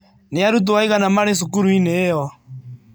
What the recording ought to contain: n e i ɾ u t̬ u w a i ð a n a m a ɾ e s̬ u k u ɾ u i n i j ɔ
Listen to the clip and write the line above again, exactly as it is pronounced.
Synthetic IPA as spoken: n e a ɾ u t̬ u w a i ɣ a n a m a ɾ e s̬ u k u ɾ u i n e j ɔ